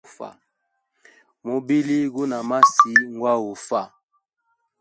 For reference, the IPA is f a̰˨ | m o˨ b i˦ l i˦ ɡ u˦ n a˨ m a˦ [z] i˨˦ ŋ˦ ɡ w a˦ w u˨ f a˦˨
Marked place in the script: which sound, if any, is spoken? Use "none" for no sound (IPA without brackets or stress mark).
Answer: s